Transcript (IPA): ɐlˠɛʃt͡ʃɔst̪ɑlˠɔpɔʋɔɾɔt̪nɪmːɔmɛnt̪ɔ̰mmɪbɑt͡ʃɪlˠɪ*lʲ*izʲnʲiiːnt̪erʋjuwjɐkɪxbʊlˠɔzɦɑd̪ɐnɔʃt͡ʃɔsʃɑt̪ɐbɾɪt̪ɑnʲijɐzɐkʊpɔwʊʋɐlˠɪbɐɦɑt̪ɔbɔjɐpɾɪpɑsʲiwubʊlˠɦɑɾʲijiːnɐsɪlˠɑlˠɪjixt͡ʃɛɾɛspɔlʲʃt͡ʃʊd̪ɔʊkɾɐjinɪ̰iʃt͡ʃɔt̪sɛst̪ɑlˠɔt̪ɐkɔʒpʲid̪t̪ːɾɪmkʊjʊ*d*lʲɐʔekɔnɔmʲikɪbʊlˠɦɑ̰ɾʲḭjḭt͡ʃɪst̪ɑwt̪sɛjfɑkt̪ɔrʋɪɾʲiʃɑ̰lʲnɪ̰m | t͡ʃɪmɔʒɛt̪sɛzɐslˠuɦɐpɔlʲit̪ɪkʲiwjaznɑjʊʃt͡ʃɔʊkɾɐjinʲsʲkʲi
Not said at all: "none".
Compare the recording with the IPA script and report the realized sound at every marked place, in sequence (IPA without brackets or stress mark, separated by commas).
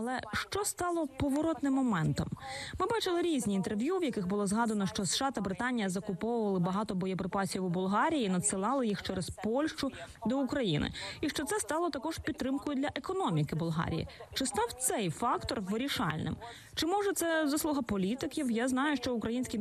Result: ɾʲ, d